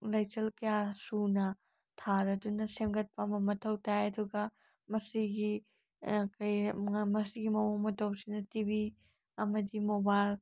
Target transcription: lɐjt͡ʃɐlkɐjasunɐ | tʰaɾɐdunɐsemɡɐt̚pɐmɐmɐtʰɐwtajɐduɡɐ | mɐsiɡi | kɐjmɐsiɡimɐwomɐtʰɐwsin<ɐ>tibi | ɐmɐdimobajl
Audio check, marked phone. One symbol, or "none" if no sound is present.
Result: ɐ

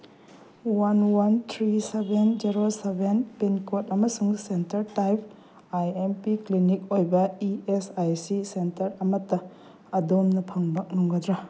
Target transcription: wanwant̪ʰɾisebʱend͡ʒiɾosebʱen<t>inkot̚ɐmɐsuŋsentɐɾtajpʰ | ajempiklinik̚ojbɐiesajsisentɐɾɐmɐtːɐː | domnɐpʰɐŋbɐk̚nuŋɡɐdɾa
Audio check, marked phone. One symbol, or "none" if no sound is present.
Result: p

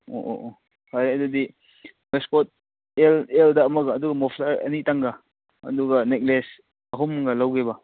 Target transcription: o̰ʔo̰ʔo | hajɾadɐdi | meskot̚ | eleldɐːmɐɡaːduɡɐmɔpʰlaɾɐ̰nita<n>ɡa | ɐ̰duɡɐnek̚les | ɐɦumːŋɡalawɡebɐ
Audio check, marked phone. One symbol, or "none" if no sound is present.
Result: ŋ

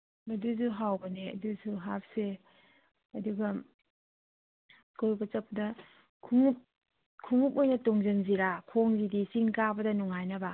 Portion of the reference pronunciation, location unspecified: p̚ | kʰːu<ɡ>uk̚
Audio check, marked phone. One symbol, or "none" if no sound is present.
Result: ŋ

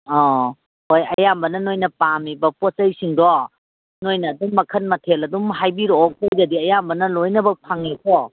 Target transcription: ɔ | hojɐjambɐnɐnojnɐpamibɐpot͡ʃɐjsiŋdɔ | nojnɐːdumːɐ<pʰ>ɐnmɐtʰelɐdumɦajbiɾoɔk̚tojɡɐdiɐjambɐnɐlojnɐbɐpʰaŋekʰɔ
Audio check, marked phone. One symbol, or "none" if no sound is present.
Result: kʰ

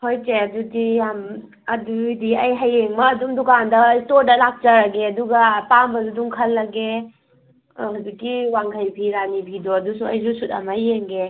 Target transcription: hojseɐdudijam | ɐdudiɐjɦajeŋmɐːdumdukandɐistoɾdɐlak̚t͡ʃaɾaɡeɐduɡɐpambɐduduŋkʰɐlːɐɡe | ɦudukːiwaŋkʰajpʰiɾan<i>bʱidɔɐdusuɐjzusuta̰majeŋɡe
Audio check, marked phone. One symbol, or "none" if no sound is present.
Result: i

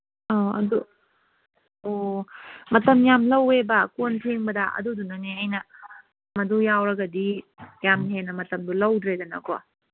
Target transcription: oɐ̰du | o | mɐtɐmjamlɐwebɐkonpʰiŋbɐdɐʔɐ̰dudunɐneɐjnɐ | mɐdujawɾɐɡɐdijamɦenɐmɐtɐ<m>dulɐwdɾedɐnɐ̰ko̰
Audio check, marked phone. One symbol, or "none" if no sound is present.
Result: m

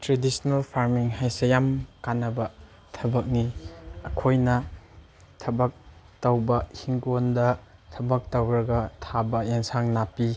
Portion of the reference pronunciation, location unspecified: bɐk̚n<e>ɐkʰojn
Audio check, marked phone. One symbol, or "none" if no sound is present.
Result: i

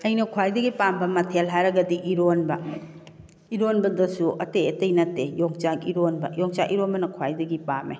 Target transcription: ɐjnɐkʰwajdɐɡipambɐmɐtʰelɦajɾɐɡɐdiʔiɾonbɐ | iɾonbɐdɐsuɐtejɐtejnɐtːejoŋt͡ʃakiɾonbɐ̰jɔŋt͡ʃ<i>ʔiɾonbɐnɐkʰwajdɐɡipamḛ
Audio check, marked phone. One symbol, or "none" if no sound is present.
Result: a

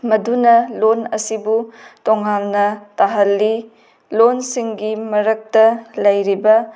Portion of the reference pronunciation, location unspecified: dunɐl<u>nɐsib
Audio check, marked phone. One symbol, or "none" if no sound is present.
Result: o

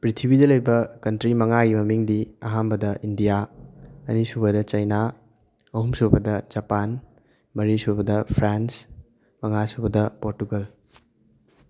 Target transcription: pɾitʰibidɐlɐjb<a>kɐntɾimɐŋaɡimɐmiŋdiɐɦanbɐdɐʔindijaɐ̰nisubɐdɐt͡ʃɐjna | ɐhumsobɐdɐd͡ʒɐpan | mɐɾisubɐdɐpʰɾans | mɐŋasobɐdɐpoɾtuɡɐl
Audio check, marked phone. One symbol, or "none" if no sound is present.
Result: ɐ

